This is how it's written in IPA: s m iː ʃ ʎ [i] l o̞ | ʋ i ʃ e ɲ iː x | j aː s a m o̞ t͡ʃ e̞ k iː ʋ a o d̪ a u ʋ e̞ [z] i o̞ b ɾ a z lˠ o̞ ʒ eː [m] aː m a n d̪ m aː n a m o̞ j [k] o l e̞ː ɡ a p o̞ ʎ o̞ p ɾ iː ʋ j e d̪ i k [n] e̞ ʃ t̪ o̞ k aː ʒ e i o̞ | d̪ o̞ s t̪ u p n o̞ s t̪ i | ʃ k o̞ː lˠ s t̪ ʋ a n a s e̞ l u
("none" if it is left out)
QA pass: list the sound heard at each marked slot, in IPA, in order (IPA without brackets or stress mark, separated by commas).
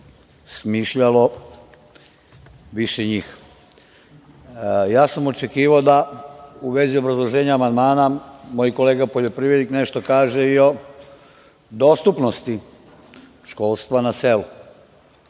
a, z, ɲ, k, n